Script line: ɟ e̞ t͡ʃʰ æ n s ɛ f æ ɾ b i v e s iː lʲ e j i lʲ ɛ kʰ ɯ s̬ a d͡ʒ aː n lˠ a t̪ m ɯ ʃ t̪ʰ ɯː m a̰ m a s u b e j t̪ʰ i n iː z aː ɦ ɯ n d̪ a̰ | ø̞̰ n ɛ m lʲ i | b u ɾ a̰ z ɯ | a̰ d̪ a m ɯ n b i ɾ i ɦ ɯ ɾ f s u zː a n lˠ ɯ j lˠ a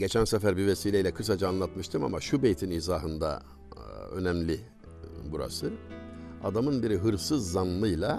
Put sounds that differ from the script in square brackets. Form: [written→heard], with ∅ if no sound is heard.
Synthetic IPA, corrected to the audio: ɟ e̞ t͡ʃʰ æ n s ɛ f æ ɾ b i v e s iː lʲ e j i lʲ ɛ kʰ ɯ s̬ a d͡ʒ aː n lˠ a t̪ m ɯ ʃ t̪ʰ [ɯː→ɯ] m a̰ m a [s→ʃ] u b e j t̪ʰ i n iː z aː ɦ ɯ n d̪ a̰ | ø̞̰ n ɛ m lʲ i | b u ɾ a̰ [z→s] ɯ | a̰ d̪ a m ɯ n b i ɾ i ɦ ɯ ɾ f s [u→ɯ] zː a n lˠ ɯ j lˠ a